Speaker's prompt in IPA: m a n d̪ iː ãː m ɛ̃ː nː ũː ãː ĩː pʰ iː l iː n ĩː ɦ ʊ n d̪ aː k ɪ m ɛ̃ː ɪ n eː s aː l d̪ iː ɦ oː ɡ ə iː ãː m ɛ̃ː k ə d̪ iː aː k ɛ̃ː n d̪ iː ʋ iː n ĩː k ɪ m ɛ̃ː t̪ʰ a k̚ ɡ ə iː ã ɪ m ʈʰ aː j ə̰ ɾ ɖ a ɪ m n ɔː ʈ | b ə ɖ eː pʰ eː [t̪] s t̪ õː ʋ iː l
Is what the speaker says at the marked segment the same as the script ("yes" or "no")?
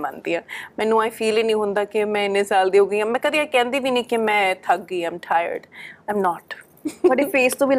no